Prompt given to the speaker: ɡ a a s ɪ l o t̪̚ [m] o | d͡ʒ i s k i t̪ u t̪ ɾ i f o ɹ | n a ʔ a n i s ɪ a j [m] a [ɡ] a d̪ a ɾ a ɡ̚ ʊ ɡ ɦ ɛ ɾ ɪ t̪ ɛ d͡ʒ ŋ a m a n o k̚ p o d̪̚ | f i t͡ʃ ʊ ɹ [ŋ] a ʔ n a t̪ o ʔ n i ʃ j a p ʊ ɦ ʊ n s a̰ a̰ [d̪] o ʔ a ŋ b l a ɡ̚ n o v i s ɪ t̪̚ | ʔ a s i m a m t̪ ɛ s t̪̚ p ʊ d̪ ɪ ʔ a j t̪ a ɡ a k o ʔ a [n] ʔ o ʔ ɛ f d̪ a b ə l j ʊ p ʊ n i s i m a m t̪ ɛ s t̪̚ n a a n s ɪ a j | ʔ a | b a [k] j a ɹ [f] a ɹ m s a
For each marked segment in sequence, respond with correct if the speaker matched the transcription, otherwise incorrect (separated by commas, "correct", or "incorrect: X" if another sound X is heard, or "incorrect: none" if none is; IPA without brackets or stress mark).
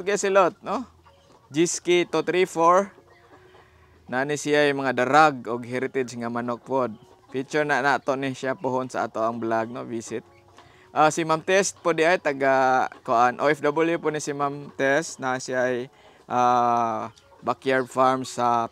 incorrect: n, correct, incorrect: ŋ, incorrect: n, incorrect: t̪, correct, correct, correct